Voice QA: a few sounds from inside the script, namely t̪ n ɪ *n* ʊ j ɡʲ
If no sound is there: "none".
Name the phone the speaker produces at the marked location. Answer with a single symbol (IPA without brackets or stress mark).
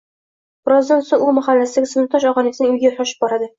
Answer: ŋ